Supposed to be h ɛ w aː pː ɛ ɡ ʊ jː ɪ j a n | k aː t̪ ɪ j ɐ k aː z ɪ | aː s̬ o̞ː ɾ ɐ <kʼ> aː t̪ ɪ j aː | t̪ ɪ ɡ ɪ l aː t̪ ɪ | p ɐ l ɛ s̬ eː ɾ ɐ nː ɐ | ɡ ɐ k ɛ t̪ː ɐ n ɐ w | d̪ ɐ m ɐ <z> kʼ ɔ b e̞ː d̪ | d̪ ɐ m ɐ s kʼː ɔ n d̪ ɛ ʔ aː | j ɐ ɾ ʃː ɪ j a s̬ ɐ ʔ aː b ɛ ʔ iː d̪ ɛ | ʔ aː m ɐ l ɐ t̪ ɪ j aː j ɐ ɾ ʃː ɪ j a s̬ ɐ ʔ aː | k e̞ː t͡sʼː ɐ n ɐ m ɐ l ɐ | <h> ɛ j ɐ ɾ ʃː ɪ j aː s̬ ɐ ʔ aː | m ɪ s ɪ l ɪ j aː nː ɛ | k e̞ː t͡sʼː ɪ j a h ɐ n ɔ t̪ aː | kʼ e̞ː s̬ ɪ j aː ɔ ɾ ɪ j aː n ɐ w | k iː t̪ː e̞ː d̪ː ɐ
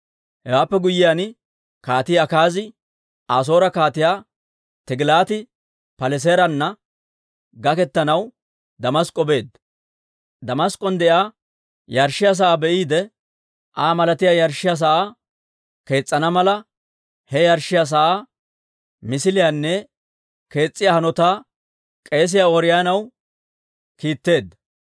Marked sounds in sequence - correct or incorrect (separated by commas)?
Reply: incorrect, incorrect, correct